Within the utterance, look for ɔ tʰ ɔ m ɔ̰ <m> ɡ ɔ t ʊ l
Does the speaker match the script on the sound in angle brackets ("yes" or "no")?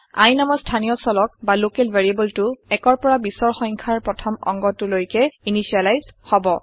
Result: no